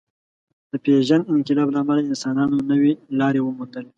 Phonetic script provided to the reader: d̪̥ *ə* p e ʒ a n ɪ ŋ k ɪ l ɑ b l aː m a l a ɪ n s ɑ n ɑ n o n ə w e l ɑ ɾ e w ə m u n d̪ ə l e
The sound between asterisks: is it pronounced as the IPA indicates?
yes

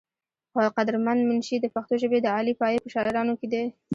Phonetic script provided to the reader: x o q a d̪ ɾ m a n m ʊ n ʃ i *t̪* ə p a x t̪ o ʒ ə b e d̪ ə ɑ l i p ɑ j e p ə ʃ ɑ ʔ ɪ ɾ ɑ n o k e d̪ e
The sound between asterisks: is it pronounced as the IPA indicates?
no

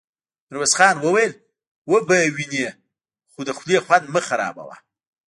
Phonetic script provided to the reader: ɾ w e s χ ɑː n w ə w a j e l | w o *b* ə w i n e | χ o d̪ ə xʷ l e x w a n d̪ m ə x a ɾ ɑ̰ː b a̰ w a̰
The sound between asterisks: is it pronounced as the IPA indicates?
yes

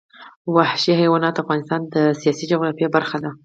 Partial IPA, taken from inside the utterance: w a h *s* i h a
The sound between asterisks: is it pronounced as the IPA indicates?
no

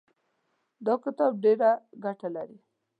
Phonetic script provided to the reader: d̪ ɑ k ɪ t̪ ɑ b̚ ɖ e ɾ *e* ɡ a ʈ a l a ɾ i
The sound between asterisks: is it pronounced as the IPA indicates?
no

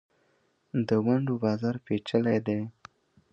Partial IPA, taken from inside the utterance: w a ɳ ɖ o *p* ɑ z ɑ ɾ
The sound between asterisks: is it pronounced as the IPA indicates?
no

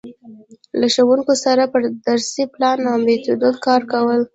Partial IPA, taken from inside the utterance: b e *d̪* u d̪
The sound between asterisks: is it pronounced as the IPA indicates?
no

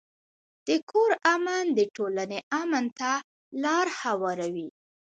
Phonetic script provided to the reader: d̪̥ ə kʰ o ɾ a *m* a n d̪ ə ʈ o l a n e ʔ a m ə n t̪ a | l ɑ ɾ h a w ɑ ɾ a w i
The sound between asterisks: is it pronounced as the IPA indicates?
yes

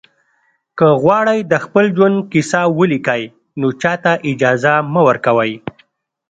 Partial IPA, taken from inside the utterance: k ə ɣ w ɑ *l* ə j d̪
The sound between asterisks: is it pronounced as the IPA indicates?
no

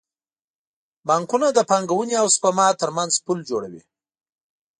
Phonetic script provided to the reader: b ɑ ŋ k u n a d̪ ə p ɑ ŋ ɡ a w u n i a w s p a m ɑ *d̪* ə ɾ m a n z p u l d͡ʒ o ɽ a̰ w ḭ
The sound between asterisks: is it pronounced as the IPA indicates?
no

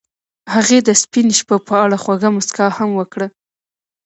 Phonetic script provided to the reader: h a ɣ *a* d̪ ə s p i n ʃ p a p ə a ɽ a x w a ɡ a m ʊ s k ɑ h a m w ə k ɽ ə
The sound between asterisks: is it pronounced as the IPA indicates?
no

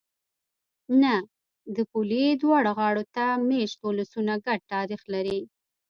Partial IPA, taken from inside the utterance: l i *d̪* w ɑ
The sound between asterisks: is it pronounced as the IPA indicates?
yes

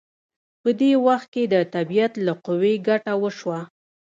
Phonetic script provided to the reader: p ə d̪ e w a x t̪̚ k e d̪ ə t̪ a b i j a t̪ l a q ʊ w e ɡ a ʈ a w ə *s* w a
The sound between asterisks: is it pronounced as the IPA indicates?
no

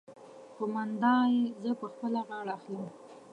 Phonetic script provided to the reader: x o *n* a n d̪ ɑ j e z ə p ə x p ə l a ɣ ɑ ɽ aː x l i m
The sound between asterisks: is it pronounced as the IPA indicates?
no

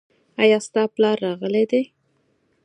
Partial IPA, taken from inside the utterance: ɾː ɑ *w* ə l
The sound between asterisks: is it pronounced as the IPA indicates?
no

